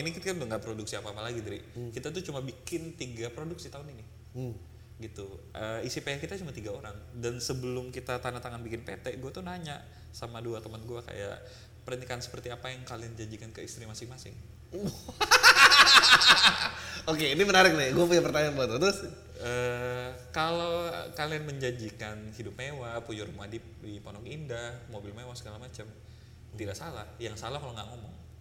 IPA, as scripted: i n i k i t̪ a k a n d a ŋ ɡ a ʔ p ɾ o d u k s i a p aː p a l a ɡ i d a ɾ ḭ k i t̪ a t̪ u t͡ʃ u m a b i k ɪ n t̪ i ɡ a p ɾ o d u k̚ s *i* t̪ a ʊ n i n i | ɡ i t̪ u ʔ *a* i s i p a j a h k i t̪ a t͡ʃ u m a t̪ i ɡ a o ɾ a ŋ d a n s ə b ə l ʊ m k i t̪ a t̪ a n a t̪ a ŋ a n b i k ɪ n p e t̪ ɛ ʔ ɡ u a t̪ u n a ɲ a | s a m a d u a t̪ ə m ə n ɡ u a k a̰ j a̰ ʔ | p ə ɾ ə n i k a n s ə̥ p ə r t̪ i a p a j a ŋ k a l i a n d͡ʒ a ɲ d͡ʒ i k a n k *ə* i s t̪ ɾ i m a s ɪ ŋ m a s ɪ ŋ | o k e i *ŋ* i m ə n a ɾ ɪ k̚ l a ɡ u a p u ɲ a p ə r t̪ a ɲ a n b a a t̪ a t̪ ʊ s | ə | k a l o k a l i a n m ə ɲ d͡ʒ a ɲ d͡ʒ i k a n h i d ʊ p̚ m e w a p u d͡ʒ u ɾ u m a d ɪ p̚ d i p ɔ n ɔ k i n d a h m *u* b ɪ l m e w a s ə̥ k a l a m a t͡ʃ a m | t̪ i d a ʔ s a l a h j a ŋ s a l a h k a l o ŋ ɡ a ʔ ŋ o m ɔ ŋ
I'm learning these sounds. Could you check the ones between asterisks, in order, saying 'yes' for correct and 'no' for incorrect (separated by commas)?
yes, no, yes, no, no